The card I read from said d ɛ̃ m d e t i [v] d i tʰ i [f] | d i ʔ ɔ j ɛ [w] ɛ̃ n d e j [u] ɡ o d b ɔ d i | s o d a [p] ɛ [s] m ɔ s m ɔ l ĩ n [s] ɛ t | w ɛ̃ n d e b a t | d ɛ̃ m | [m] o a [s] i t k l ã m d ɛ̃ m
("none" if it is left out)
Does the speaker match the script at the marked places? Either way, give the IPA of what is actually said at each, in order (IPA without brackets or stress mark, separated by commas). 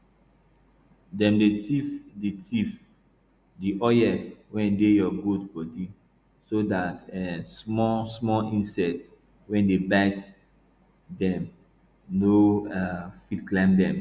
f, f, w, ɔ, t, s, s, n, f